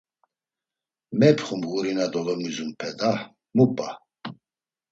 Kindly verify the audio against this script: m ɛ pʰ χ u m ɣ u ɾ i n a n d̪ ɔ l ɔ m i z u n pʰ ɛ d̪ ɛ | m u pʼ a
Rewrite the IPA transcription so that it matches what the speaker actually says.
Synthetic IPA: m ɛ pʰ χ u m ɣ u ɾ i n a d̪ ɔ l ɔ m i z u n pʰ ɛ d̪ a | m u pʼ a

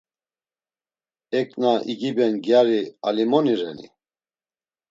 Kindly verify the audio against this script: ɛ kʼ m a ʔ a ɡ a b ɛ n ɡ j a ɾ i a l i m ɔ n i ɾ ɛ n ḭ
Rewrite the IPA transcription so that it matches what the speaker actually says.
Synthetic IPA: ɛ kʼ n a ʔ i ɡ i b ɛ n ɡ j a ɾ i a l i m ɔ n i ɾ ɛ n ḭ

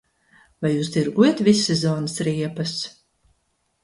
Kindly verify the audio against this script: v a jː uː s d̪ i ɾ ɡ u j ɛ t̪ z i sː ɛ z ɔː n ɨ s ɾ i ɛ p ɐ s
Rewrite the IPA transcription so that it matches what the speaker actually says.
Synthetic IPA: v a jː uː s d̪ i ɾ ɡ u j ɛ t̪ v i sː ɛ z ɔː n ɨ s ɾ i ɛ p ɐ s

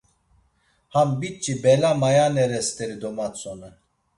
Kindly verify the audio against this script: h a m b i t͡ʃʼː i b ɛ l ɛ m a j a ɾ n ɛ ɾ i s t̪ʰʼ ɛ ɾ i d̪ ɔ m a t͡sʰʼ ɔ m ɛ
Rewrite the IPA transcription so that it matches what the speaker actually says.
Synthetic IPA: h a m b i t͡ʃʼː i b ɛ l a m a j a n ɛ ɾ ɛ s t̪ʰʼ ɛ ɾ i d̪ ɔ m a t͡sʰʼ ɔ n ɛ

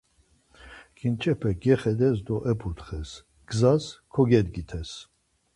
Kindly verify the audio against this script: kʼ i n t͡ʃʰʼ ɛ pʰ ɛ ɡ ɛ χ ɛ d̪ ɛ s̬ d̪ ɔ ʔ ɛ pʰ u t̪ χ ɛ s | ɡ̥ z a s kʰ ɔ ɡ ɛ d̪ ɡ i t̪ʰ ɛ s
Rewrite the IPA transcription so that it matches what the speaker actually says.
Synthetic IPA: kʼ i n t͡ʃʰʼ ɛ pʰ ɛ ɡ ɛ χ ɛ d̪ ɛ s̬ d̪ ɔ ʔ ɛ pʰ u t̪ χ ɛ s | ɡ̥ z a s kʰ ɔ ɡ ɛ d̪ ɡ i t̪ʰ ɛ s

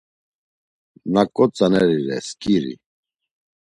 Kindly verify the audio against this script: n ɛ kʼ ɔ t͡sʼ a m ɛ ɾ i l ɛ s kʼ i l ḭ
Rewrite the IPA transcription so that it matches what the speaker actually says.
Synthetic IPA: n a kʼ ɔ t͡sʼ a n ɛ ɾ i ɾ ɛ s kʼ i ɾ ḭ

